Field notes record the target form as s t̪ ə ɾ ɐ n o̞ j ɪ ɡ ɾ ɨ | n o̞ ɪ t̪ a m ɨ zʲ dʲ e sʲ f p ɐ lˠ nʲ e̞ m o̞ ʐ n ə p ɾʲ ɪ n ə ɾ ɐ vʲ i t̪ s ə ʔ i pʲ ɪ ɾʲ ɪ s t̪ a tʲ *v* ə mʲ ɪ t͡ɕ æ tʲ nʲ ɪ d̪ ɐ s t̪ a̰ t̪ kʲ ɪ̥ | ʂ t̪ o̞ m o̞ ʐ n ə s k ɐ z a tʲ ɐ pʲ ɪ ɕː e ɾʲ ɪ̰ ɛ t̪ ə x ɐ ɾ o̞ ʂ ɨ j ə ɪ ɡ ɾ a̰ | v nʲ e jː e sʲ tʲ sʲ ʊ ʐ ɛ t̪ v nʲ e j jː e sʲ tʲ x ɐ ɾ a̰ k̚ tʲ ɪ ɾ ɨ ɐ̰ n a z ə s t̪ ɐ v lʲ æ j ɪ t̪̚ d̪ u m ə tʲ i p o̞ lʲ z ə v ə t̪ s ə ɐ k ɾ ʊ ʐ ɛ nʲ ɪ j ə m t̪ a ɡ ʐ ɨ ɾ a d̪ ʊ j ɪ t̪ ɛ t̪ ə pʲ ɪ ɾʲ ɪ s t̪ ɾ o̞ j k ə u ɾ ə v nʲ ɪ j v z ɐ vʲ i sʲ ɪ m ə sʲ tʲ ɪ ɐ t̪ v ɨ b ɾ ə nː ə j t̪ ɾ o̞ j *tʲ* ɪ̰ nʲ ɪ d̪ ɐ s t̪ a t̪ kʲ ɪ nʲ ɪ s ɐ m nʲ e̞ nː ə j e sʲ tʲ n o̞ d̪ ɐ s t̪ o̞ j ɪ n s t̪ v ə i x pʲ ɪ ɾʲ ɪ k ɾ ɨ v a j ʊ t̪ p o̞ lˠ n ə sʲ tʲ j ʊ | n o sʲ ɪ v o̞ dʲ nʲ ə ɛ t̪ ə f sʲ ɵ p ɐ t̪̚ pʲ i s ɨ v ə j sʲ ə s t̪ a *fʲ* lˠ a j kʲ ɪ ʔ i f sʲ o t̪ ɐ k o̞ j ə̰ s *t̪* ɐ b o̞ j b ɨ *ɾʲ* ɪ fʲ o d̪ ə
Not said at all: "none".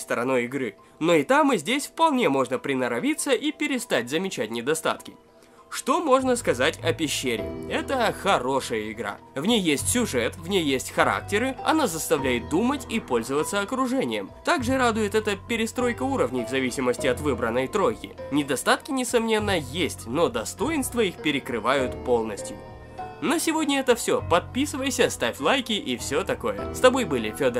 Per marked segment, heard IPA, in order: z, kʲ, fʲ, t̪, lʲ

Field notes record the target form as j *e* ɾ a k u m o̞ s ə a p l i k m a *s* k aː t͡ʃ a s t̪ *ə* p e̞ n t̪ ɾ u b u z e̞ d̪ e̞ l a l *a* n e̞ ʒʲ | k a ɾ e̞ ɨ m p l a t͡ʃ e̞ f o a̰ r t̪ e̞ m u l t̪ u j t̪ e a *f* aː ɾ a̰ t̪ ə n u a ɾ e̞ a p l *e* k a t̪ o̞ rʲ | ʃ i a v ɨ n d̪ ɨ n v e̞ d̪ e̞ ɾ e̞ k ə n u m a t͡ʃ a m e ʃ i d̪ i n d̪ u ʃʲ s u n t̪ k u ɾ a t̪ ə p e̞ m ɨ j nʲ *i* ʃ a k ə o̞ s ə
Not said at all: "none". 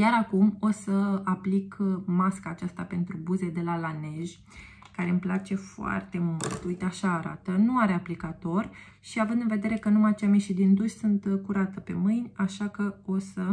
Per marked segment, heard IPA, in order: a, s, a, a, ʃ, i, a

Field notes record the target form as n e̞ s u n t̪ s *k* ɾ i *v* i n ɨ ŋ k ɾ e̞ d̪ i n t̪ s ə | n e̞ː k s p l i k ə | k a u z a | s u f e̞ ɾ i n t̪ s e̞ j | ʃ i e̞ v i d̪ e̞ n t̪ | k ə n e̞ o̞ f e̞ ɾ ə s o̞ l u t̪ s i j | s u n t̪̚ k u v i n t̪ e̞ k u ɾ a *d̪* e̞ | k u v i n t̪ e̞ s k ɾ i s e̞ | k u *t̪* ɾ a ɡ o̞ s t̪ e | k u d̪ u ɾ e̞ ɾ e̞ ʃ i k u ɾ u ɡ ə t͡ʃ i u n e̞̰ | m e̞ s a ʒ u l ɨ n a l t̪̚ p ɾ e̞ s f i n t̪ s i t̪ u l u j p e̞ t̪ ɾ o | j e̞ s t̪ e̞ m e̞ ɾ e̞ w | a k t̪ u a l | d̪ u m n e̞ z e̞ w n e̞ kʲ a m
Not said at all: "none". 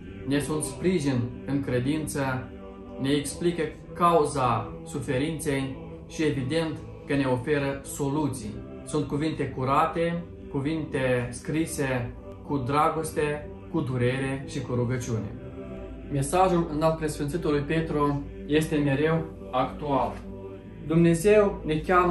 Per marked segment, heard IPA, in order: p, ʒ, t̪, d̪

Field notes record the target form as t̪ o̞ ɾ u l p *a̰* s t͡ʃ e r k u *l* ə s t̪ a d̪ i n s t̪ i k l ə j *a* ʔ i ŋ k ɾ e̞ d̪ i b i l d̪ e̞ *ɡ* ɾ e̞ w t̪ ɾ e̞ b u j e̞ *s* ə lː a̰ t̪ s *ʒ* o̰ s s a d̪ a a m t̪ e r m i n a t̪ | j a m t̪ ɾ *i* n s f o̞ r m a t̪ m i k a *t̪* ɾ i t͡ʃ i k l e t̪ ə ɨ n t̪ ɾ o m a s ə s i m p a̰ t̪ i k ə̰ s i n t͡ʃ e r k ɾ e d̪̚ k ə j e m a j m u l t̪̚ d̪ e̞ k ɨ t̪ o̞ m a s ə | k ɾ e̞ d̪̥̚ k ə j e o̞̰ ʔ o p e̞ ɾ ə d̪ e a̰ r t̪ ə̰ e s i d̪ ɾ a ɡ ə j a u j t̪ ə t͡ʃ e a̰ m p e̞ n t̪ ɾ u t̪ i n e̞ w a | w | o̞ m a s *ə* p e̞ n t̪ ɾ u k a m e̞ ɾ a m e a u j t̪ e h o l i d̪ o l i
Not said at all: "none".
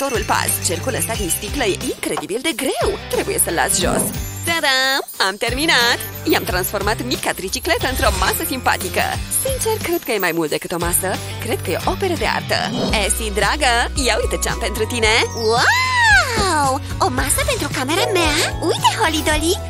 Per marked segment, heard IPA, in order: a̰, l, e, ɡ, s, ʒ, a, t̪, ə

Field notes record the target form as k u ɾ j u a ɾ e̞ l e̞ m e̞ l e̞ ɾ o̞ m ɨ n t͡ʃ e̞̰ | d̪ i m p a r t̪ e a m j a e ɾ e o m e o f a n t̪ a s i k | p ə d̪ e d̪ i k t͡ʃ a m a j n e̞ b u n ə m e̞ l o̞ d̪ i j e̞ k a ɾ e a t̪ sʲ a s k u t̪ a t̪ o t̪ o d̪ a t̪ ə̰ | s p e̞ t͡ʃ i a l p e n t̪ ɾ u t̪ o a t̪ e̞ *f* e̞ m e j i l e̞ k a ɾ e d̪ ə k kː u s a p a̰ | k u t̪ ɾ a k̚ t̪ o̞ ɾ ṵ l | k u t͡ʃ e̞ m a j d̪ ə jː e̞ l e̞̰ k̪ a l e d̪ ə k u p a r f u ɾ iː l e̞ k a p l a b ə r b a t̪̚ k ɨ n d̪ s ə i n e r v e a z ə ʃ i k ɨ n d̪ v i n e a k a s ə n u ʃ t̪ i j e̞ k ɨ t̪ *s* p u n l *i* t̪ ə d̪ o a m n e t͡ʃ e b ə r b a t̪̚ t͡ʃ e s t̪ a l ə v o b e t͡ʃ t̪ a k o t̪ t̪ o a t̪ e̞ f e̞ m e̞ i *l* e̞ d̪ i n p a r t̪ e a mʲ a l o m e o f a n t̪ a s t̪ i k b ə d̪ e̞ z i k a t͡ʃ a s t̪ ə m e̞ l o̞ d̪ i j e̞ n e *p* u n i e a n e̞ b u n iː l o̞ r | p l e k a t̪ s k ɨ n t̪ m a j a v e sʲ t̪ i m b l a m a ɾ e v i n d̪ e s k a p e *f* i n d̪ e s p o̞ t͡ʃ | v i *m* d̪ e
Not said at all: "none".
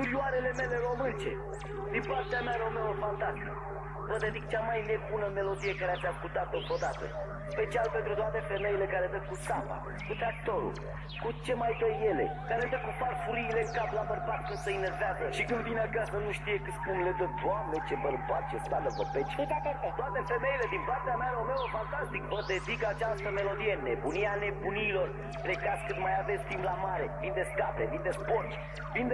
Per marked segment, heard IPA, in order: f, s, e, l, b, v, n

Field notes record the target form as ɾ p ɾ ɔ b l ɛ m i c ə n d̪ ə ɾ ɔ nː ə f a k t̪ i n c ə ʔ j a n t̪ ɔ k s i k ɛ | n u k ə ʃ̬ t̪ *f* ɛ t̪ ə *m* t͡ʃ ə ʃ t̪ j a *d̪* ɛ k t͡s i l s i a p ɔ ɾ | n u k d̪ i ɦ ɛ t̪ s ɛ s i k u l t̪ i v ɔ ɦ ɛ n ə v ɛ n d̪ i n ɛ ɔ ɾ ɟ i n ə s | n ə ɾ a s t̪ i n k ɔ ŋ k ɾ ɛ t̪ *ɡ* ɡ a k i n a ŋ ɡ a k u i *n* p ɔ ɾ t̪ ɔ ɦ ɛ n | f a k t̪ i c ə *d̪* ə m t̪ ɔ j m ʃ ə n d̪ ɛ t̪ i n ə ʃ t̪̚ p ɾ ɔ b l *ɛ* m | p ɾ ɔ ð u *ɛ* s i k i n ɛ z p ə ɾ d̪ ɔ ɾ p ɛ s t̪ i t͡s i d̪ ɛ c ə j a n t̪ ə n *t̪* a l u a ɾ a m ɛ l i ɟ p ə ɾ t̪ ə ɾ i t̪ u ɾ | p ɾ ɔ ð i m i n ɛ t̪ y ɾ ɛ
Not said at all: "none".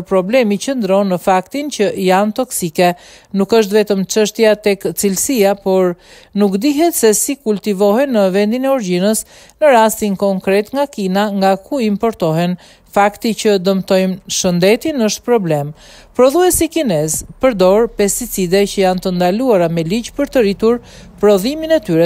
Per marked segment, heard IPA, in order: v, m, t̪, ŋ, m, d̪, ɛ, ɛ, d̪

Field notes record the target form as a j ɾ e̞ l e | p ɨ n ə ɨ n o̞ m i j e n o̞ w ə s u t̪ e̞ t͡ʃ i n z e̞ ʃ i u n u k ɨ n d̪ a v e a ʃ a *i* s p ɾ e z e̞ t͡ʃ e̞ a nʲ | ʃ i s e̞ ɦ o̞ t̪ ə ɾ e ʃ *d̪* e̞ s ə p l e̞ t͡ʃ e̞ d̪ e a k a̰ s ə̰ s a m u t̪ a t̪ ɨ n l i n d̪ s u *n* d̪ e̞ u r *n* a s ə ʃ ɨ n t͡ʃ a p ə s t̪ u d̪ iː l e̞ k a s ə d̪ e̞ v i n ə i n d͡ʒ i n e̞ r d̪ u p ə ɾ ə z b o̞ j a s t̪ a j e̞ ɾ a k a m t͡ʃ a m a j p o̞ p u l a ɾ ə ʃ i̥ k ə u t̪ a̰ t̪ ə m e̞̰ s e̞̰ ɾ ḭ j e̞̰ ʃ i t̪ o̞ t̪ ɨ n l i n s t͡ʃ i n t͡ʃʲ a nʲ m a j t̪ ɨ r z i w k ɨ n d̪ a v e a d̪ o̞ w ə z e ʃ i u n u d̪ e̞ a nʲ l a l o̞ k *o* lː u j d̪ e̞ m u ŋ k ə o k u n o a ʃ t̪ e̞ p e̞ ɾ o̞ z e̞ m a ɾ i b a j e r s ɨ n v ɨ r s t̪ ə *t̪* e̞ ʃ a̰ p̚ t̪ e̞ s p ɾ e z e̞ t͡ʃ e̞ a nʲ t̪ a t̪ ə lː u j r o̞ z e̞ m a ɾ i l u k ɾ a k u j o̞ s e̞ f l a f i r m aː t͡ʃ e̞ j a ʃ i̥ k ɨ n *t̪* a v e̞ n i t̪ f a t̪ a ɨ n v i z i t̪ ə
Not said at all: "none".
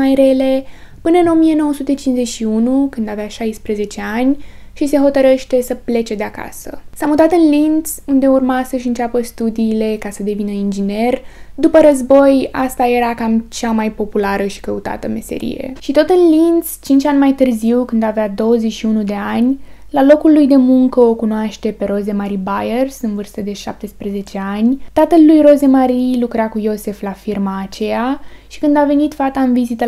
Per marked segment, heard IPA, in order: j, t̪, n, m, u, d̪, d̪

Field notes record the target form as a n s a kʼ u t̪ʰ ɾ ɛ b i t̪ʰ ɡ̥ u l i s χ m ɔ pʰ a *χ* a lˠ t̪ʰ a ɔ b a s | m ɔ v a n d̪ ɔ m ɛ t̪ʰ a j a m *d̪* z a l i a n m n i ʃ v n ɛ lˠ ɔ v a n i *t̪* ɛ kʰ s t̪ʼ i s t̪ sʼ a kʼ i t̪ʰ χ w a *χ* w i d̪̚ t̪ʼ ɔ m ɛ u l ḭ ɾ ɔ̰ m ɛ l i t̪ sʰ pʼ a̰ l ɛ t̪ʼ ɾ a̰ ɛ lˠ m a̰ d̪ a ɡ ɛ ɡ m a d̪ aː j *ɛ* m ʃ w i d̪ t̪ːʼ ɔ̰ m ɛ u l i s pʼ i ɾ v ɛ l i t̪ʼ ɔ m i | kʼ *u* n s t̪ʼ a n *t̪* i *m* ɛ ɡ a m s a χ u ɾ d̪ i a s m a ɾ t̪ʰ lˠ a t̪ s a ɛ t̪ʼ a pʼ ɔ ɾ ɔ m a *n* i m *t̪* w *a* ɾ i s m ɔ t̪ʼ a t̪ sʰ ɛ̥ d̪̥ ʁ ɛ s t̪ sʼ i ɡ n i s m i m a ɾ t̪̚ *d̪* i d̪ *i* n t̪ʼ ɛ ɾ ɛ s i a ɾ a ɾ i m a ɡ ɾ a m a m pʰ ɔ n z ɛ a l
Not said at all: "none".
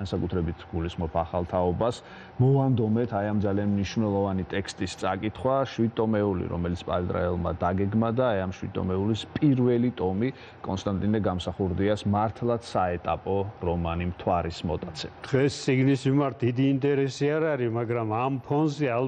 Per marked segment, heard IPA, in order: χ, d̪, t̪ʼ, ʃ, a, ɔ, t̪ʼ, n, n, t̪ʰ, a, d̪, iː

